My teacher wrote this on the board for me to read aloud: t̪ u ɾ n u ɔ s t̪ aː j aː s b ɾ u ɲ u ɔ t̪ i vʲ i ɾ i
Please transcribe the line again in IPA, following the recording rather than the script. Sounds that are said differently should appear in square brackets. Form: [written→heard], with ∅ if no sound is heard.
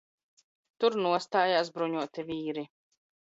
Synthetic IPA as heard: t̪ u ɾ n u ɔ s t̪ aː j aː s b ɾ u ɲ u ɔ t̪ i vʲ [i→iː] ɾ i